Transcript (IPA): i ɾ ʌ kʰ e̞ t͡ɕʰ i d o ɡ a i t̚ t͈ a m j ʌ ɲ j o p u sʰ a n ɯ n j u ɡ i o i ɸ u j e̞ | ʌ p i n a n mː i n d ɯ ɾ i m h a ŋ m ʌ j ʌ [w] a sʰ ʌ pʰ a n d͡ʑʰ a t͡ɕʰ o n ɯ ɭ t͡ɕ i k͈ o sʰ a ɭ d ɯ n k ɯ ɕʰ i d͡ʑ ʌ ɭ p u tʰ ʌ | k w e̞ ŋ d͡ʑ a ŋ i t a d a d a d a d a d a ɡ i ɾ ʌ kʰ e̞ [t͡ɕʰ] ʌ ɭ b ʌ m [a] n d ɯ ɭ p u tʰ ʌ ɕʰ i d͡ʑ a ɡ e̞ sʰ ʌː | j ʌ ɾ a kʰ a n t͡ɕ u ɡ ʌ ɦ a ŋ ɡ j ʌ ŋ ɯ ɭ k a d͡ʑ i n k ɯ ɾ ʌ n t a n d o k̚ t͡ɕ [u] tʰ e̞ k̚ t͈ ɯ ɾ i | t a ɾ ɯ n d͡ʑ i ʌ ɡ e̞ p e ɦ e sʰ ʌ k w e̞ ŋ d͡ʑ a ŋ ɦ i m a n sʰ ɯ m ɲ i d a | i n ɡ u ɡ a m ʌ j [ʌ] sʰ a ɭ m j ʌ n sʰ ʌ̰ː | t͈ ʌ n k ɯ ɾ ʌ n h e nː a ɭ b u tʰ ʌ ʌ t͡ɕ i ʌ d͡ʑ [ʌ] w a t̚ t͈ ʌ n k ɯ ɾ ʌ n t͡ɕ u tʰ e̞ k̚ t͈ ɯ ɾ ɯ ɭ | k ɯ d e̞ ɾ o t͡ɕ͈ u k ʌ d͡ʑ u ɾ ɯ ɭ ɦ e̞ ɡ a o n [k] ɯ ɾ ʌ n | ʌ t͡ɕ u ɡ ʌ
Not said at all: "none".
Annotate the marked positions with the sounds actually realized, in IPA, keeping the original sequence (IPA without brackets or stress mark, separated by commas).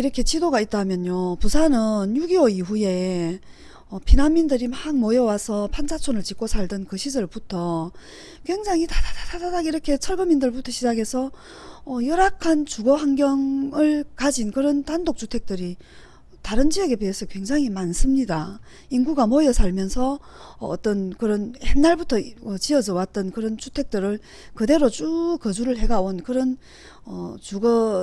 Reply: w, t͡ɕʰ, i, u, ʌ, ʌ, k